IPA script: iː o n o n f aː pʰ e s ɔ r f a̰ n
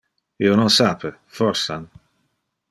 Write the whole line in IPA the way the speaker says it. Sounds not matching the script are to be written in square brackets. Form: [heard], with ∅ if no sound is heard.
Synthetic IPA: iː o n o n [s] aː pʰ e [f] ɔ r [s] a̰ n